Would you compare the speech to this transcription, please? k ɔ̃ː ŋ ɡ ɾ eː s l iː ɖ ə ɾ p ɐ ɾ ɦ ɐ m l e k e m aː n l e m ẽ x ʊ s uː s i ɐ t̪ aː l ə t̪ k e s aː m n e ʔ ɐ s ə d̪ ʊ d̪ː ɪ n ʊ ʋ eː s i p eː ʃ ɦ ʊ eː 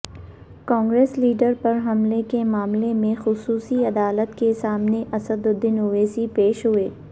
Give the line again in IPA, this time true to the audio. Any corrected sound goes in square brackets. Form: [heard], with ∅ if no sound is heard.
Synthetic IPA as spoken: k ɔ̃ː ŋ ɡ ɾ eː s l iː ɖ ə ɾ p ɐ ɾ ɦ ɐ m l e k e m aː [m] l e m ẽ x ʊ s uː s i ɐ [d̪] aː l ə t̪ k e s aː m n e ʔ ɐ s ə d̪ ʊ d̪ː ɪ n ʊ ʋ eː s i p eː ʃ ɦ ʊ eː